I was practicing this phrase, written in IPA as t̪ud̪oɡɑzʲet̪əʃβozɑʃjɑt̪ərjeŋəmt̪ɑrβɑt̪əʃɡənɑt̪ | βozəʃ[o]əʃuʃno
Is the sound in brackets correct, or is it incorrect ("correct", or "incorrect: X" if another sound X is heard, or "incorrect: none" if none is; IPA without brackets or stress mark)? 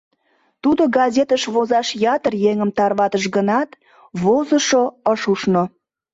correct